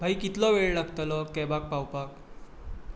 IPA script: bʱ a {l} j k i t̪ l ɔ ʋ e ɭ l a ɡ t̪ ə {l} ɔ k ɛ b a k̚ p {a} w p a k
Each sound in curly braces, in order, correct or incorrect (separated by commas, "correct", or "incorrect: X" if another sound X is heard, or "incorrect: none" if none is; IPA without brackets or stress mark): incorrect: none, correct, correct